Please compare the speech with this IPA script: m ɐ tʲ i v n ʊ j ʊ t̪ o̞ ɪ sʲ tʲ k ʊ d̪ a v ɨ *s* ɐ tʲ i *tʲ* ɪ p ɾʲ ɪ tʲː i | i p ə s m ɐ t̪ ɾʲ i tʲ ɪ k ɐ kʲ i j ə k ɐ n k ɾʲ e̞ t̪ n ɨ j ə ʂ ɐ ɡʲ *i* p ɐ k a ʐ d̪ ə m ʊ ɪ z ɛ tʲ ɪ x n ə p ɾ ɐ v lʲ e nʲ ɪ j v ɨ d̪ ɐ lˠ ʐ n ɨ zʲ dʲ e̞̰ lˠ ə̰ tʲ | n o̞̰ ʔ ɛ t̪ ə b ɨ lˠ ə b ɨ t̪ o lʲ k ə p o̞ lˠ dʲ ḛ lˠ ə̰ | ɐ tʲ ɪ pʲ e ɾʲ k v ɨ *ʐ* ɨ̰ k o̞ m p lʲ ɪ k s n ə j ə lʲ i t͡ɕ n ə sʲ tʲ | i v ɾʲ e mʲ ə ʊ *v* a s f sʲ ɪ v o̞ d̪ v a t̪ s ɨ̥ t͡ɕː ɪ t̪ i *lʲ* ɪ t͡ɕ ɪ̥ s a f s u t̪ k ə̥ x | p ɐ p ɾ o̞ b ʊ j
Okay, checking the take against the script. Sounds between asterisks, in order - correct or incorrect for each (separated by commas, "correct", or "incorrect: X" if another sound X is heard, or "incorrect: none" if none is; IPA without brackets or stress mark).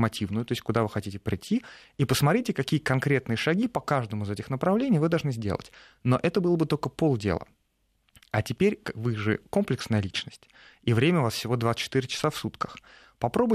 incorrect: x, correct, correct, correct, correct, incorrect: ɾʲ